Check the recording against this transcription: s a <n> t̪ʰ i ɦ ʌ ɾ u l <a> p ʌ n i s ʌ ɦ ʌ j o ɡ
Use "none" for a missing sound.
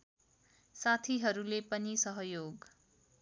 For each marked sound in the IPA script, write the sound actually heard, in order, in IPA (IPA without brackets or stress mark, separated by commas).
none, e